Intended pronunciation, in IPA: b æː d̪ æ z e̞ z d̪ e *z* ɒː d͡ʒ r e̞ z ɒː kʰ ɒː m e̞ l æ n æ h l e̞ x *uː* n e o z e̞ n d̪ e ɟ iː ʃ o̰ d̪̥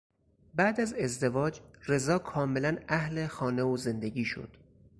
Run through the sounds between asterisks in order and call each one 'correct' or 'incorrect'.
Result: incorrect: v, incorrect: ɒː

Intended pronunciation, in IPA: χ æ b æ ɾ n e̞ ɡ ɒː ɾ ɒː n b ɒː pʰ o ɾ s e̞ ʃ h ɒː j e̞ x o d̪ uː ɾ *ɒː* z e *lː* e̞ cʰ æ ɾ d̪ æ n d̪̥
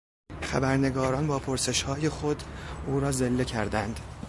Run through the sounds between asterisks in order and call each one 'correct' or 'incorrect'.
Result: correct, correct

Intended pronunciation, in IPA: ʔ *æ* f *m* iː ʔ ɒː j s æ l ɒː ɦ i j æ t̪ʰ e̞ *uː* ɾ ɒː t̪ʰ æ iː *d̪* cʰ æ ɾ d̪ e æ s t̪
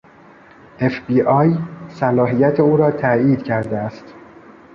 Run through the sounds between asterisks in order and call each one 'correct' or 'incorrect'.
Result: incorrect: e, incorrect: b, correct, correct

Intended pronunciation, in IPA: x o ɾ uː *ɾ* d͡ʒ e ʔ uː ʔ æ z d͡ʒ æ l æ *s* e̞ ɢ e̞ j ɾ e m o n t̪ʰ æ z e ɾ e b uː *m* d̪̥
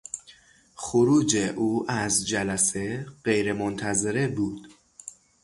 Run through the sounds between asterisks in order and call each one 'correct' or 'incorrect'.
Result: incorrect: none, correct, incorrect: none

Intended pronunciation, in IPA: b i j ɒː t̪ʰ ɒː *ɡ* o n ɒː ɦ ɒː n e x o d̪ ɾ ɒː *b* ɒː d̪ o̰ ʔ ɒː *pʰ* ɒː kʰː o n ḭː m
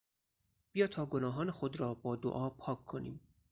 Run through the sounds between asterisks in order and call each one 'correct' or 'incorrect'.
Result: correct, correct, correct

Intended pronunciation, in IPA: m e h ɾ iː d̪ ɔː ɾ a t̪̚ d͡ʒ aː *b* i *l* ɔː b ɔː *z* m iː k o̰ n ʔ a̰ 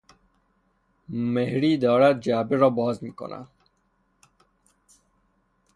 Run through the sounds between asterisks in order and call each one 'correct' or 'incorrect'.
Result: correct, incorrect: ɾ, correct

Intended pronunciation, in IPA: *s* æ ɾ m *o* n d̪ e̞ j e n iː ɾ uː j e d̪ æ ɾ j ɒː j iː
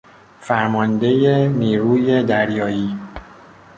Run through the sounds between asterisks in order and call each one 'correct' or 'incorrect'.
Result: incorrect: f, incorrect: ɒ

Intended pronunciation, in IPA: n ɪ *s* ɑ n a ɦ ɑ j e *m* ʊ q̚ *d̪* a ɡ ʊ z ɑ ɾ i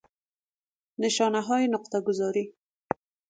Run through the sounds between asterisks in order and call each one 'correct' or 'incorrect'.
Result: incorrect: ʃ, incorrect: n, incorrect: t̪

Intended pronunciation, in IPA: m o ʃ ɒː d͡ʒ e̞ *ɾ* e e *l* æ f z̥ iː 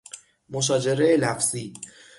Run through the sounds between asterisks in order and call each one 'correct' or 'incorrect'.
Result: correct, correct

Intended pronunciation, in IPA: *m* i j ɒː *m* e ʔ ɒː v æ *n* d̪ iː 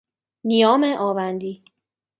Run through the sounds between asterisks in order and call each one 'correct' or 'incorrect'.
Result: incorrect: n, correct, correct

